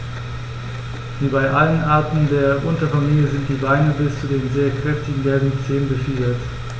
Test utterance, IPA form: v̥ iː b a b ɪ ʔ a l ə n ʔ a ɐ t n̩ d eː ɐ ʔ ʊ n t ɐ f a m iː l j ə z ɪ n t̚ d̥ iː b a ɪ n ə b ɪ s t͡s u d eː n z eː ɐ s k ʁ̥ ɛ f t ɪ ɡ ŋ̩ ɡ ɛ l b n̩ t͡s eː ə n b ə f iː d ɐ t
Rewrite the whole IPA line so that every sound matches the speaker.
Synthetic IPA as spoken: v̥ iː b a ɪ ʔ a l ə n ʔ a ɐ t n̩ d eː ɐ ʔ ʊ n t ɐ f a m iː l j ə z ɪ n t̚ d̥ iː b a ɪ n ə b ɪ s t͡s u d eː n z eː ɐ k ʁ̥ ɛ f t ɪ ɡ ŋ̩ ɡ ɛ l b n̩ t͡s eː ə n b ə f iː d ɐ t